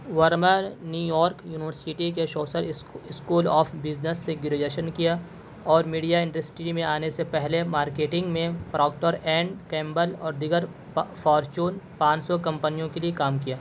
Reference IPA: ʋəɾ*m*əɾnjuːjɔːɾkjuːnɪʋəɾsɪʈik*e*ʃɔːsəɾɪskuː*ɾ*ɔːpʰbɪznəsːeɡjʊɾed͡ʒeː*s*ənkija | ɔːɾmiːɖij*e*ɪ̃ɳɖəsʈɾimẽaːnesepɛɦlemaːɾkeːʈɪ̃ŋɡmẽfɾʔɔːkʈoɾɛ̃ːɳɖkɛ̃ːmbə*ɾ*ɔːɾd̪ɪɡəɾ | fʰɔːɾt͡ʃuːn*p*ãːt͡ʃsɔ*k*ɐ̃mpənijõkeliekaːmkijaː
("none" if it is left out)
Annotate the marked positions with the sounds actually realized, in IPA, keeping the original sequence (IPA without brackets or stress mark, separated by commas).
m, e, l, ʃ, a, l, p, k